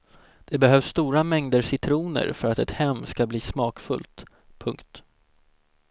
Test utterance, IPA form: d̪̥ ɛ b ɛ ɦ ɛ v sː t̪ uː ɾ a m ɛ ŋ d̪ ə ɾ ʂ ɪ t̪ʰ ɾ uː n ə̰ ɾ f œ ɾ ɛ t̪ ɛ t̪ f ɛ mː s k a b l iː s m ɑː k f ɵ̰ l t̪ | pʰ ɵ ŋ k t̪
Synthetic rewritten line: d̪̥ ɛ b ɛ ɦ œ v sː t̪ uː ɾ a m ɛ ŋ d̪ ə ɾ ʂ ɪ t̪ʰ ɾ uː n ə̰ ɾ f œ ɾ a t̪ ɛ t̪ h ɛ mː s k a b l iː s m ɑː k f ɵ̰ l t̪ | pʰ ɵ ŋ k t̪